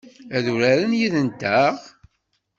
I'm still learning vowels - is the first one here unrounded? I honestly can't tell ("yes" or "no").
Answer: yes